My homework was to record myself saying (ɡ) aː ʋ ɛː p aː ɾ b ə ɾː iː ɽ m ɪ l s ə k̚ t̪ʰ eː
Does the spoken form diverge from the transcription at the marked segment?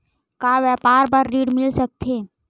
yes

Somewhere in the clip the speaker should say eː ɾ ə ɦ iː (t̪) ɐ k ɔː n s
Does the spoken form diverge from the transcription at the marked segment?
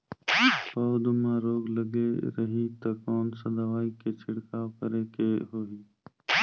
no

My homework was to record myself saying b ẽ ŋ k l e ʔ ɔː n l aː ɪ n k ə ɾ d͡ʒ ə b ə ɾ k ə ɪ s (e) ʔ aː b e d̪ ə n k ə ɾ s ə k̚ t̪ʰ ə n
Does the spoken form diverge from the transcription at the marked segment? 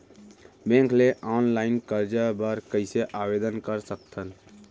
no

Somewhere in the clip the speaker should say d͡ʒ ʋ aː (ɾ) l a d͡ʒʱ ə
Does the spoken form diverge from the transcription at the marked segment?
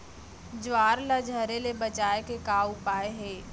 no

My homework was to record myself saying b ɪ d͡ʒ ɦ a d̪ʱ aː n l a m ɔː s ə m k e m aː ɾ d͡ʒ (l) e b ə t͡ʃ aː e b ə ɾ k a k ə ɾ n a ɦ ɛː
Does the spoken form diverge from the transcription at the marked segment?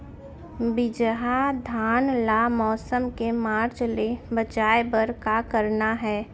no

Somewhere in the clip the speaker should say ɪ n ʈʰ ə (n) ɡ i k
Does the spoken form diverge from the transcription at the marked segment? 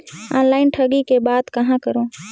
yes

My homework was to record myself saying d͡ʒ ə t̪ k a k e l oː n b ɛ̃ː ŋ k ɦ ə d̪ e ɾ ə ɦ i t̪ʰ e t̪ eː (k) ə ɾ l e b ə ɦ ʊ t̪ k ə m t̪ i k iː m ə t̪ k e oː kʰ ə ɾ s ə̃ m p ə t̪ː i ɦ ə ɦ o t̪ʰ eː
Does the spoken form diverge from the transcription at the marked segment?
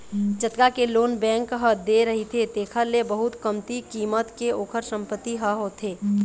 yes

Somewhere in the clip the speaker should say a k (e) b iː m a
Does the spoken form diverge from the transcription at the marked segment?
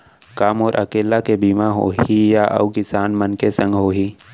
no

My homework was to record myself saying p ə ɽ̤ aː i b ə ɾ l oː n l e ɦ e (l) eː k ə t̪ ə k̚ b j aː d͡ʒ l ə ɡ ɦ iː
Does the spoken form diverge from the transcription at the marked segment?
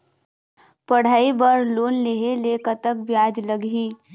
no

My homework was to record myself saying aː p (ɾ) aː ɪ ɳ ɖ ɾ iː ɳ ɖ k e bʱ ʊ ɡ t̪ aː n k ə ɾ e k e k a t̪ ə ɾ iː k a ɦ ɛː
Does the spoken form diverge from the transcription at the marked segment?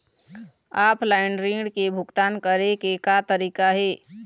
yes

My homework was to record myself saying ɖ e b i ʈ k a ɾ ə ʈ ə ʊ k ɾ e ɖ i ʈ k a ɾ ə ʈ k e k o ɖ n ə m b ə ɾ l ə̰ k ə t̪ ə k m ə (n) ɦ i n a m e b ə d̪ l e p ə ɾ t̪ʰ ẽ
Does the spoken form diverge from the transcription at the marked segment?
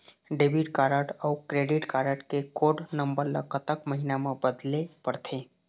yes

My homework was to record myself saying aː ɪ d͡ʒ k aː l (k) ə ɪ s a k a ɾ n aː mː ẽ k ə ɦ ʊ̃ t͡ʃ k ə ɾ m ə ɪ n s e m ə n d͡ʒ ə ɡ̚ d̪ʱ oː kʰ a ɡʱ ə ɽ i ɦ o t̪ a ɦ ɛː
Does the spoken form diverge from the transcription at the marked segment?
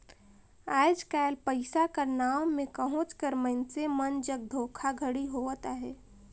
yes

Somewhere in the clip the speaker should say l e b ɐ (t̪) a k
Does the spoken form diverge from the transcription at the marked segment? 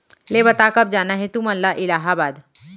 no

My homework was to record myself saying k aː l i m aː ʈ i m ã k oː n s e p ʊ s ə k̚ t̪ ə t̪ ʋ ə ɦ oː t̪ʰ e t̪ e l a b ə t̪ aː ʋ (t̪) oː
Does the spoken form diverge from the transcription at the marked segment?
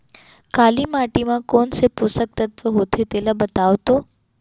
no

